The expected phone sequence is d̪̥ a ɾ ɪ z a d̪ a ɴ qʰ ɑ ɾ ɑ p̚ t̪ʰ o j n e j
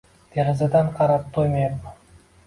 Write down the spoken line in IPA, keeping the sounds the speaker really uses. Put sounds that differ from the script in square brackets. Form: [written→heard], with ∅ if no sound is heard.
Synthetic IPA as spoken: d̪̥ [a→e] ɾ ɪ z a d̪ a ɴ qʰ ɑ ɾ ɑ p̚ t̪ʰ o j [n→m] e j

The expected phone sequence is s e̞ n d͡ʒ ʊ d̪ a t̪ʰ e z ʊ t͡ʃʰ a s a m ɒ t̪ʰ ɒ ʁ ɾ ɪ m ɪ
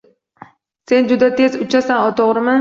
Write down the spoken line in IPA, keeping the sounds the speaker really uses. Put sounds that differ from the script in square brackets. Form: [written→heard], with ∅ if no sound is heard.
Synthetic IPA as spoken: s e̞ n d͡ʒ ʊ d̪ a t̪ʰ e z ʊ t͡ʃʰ a s a [m→n] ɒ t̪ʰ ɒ ʁ ɾ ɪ m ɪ

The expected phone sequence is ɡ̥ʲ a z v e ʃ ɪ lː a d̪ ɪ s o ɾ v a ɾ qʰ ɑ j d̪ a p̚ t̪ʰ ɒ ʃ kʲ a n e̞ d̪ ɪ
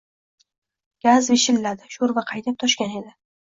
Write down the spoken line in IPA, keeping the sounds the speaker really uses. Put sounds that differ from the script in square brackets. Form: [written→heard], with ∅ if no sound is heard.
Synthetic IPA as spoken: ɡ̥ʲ a z v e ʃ ɪ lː a d̪ ɪ [s→ʃ] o ɾ v a [ɾ→∅] qʰ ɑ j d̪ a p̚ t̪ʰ ɒ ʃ kʲ a n e̞ d̪ ɪ

